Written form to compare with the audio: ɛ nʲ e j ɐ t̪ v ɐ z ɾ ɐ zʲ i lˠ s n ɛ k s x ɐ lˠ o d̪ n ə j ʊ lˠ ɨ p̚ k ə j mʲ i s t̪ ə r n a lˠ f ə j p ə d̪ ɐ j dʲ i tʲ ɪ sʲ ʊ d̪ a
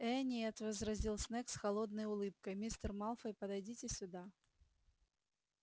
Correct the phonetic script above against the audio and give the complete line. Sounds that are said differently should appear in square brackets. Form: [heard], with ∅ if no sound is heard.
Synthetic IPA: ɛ nʲ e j ɐ t̪ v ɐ z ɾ ɐ zʲ i lˠ s n ɛ k s x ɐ lˠ o d̪ n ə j ʊ lˠ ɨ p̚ k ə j mʲ i s t̪ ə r [m] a lˠ f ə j p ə d̪ ɐ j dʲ i tʲ ɪ sʲ ʊ d̪ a

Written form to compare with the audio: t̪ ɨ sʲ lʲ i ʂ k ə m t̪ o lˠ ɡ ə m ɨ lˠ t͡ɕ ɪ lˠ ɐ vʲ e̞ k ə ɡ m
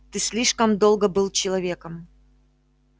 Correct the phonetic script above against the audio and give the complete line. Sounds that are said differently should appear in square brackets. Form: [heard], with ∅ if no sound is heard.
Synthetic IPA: t̪ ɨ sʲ lʲ i ʂ k ə m [d̪] o lˠ ɡ ə [b] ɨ lˠ t͡ɕ ɪ lˠ ɐ vʲ e̞ k ə [∅] m

